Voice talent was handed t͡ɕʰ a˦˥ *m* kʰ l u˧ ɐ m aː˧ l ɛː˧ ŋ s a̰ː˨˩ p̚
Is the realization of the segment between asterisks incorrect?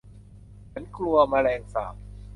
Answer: yes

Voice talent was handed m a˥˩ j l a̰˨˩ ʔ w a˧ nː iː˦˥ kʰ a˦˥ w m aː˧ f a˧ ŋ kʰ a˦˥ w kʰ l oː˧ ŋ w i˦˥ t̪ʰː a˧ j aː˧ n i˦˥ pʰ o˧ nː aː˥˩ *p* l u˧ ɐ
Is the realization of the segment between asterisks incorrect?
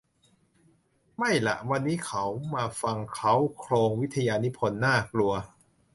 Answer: yes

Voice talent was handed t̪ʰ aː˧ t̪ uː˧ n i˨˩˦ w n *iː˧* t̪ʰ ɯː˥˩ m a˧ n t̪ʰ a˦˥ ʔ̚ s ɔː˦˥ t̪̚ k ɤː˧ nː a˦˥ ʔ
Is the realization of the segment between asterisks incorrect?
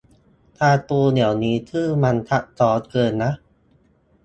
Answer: yes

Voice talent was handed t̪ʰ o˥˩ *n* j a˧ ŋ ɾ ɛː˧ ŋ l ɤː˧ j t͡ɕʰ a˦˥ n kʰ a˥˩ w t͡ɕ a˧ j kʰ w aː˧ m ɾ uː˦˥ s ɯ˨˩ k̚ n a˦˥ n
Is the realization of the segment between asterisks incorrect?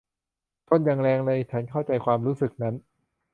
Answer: no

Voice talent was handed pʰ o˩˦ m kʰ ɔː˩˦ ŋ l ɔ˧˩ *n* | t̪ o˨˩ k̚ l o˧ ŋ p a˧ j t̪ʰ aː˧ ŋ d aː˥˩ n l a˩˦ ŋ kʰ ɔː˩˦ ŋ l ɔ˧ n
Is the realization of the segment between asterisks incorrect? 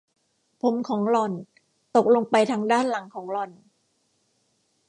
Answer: no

